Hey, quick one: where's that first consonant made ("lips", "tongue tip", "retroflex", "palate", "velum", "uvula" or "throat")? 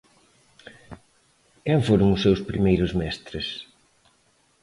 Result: velum